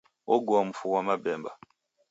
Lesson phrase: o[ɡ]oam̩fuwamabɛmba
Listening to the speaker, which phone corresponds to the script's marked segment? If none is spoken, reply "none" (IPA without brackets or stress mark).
ɡ